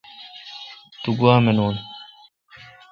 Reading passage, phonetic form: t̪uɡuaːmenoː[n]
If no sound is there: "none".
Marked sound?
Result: n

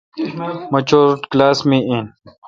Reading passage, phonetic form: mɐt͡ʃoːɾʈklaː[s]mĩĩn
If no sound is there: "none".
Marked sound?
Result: s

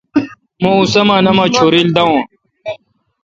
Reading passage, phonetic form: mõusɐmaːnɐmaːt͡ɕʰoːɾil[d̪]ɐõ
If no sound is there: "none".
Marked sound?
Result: d̪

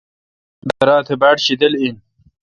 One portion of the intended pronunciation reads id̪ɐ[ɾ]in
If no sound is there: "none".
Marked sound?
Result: l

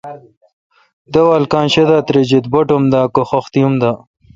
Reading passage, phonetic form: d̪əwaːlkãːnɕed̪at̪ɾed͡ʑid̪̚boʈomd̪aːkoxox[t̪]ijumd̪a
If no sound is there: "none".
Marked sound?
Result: t̪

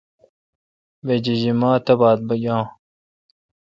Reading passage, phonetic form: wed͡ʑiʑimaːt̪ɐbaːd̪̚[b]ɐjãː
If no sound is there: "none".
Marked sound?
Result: b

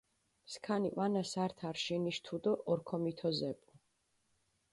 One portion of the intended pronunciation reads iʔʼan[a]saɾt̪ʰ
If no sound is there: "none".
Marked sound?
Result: a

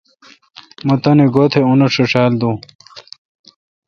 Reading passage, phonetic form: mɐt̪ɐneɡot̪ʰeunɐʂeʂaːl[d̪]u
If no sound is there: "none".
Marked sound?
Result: d̪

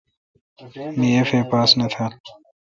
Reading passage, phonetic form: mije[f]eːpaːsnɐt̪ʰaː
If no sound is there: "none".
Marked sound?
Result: f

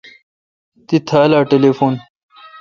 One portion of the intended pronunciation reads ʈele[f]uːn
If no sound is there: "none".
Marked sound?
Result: f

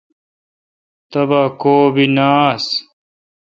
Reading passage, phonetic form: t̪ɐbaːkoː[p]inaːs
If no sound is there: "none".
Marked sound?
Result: b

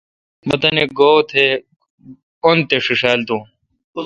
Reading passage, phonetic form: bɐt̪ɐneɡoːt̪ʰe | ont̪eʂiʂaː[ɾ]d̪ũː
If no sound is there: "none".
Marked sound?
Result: l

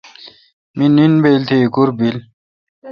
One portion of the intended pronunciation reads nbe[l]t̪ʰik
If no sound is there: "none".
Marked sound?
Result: l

